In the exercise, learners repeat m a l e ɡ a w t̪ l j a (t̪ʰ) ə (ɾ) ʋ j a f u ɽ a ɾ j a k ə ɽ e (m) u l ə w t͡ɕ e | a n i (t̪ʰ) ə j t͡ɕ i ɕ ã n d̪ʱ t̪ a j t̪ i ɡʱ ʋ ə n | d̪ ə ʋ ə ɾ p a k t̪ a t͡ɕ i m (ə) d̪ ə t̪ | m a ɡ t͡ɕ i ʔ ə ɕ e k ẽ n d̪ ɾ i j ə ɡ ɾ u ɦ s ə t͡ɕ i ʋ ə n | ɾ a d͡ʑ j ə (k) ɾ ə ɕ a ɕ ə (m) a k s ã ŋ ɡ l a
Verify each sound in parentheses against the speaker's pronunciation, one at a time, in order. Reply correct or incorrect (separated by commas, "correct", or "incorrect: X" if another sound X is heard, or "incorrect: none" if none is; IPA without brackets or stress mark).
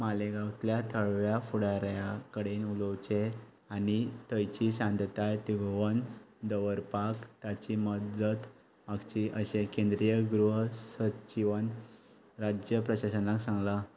correct, incorrect: ɭ, incorrect: n, incorrect: t̪, correct, incorrect: p, incorrect: n